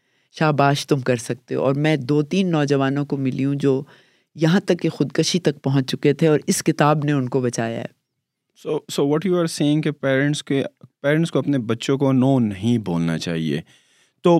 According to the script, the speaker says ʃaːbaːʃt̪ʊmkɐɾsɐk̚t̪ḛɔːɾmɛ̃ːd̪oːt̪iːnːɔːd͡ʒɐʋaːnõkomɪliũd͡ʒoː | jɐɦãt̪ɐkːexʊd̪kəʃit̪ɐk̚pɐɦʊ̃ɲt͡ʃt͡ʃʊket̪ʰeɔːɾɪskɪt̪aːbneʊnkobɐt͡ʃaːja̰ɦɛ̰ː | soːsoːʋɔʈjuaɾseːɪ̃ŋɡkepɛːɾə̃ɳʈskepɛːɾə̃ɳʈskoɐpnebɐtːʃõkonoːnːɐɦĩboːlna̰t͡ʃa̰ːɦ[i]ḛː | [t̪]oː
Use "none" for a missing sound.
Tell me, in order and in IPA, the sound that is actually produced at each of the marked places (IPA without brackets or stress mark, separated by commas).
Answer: i, t̪